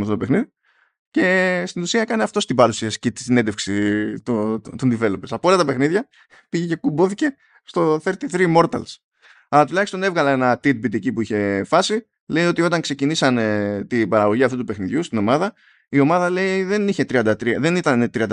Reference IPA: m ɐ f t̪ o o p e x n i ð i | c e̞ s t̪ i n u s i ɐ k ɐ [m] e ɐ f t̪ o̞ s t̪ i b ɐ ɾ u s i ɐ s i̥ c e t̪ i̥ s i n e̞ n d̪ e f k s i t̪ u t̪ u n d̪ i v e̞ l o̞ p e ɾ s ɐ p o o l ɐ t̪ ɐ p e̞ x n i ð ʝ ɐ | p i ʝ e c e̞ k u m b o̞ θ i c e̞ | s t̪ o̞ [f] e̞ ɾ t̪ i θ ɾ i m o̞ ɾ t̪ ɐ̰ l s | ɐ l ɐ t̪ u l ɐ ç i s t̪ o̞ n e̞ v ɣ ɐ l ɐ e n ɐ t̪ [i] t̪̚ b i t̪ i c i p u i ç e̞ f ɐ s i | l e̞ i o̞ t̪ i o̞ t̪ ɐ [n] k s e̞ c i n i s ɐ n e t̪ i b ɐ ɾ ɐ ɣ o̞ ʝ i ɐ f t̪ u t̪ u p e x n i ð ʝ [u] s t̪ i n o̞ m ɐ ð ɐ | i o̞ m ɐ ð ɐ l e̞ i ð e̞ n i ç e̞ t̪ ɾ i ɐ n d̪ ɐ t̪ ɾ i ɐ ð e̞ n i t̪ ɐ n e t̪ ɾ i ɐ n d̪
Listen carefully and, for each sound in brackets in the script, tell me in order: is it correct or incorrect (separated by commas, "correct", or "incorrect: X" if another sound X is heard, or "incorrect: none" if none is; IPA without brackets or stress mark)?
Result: incorrect: n, incorrect: θ, correct, incorrect: ŋ, correct